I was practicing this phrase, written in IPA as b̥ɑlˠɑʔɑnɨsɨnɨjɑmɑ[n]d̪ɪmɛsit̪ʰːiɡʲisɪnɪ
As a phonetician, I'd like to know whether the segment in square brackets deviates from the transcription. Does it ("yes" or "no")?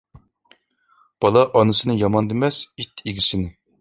no